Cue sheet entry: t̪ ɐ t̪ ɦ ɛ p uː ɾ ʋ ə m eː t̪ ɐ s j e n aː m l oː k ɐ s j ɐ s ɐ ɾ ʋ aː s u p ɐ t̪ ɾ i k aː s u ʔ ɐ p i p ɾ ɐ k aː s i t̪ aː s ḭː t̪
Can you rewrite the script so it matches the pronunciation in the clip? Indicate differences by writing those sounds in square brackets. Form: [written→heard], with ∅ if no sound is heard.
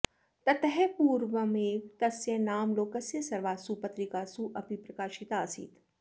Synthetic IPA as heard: t̪ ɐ t̪ ɦ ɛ p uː ɾ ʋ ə m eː t̪ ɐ s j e n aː m l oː k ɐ s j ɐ s ɐ ɾ ʋ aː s u p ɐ t̪ ɾ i k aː s u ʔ ɐ p i p ɾ ɐ k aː [s→ʃ] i t̪ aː s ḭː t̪